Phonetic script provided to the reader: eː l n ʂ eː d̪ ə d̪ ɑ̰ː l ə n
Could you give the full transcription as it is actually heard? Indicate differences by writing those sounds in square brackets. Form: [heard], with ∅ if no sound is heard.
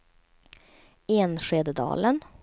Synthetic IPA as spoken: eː [∅] n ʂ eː d̪ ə d̪ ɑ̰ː l ə n